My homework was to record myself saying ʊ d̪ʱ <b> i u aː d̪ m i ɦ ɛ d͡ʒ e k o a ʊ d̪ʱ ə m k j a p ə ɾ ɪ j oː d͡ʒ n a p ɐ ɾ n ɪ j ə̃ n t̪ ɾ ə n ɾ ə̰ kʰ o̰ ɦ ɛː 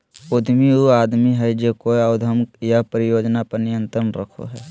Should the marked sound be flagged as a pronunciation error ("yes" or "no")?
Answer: yes